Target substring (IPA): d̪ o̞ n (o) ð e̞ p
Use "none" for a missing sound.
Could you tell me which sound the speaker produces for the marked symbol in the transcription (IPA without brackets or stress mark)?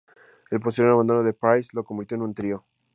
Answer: o